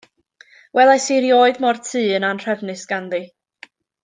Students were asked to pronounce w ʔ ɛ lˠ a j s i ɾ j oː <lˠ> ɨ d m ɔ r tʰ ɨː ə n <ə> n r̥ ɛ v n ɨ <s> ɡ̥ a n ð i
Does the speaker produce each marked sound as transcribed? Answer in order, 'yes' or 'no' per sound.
no, no, yes

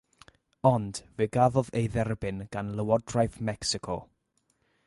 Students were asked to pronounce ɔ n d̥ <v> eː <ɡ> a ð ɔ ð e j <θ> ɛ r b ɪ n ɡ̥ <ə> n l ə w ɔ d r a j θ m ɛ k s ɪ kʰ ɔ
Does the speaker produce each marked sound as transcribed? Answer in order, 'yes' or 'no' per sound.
yes, yes, no, no

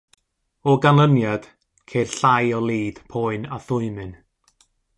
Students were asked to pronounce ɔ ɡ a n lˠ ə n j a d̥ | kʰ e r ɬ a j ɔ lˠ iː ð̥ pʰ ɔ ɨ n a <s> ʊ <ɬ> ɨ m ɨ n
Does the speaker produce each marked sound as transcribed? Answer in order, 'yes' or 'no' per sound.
no, no

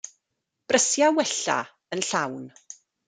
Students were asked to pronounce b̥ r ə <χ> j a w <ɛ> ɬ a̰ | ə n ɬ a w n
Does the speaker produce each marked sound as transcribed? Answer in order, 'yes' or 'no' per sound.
no, yes

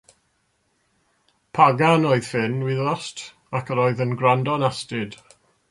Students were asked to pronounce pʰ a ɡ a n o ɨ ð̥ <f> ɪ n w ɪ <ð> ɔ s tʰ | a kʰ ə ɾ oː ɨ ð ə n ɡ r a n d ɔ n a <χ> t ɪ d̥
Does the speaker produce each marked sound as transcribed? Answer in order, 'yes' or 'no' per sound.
yes, yes, no

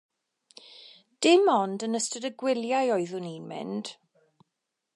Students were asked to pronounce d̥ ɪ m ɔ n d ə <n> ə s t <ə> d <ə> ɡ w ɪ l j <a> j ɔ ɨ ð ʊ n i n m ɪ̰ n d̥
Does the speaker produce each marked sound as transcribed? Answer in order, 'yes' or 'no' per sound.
yes, yes, yes, yes

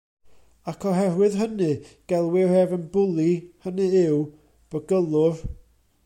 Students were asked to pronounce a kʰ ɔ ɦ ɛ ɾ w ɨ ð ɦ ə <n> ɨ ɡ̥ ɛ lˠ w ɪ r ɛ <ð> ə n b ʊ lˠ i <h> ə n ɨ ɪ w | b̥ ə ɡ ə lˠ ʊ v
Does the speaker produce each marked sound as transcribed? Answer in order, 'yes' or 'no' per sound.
yes, no, yes

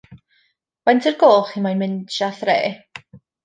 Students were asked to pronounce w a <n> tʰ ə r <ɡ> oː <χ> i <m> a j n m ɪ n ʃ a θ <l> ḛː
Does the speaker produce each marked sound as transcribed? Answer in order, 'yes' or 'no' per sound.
yes, yes, yes, yes, no

